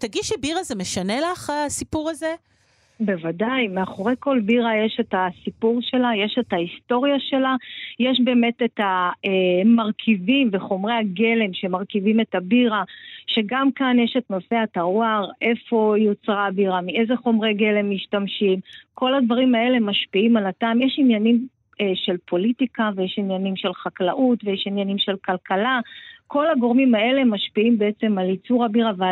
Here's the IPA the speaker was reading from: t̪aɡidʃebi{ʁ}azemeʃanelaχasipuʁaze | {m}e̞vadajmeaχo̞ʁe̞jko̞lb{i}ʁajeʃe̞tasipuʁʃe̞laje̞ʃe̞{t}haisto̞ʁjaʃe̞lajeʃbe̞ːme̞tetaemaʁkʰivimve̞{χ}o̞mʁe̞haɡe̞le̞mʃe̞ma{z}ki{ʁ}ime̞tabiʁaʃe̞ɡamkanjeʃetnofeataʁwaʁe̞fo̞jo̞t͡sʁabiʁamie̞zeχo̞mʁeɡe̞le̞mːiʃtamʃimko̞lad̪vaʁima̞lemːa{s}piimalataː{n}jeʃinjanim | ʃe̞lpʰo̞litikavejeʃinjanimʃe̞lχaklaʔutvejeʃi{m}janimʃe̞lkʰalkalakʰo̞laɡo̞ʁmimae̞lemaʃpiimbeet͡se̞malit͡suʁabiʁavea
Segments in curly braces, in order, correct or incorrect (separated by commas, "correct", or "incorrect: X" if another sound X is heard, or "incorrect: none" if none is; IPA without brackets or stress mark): correct, incorrect: b, correct, correct, correct, incorrect: ʁ, incorrect: v, incorrect: ʃ, incorrect: m, incorrect: n